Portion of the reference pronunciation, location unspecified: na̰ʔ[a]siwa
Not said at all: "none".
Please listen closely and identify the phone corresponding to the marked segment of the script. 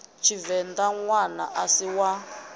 a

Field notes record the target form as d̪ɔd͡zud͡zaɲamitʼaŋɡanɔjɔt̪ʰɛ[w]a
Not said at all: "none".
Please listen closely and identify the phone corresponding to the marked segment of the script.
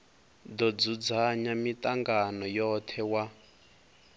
w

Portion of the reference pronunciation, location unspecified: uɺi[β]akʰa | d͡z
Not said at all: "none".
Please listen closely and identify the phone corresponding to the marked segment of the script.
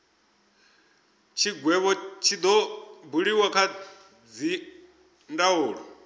w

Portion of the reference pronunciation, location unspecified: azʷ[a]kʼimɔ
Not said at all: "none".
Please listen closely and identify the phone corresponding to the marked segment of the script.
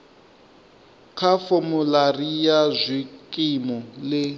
i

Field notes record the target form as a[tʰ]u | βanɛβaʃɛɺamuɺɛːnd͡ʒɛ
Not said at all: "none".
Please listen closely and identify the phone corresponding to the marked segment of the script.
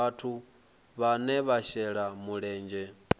tʰ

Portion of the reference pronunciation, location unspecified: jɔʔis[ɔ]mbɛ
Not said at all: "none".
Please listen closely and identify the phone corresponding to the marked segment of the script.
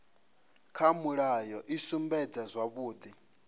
u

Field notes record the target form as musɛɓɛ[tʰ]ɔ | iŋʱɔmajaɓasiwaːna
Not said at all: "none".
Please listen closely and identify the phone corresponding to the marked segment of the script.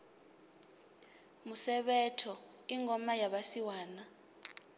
tʰ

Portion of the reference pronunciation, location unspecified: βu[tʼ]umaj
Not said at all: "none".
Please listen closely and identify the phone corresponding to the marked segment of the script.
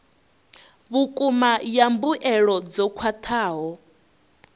kʼ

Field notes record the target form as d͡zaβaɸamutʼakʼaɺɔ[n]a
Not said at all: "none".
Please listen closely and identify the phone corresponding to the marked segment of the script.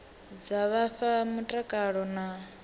n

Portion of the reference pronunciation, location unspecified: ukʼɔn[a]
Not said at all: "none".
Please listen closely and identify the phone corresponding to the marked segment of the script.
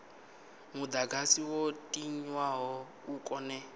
ɛ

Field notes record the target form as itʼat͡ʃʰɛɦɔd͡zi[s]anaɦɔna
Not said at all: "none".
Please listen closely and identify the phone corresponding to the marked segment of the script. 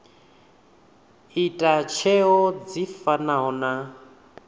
f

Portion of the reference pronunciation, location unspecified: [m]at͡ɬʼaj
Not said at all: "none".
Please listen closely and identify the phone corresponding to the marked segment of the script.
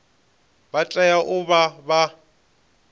b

